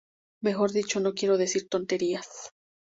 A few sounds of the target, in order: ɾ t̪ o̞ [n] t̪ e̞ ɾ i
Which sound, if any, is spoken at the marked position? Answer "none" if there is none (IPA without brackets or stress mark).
n